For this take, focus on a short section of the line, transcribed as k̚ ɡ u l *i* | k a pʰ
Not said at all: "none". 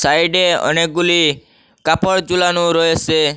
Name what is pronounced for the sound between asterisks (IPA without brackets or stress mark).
i